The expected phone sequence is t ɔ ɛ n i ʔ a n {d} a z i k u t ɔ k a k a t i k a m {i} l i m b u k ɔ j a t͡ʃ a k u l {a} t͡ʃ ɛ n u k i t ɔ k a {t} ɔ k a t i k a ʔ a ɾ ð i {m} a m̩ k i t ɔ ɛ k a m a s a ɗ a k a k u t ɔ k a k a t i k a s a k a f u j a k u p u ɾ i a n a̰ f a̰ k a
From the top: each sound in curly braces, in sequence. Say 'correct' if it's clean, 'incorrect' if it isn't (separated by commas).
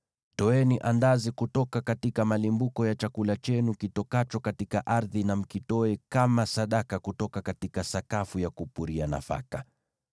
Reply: correct, incorrect, correct, incorrect, incorrect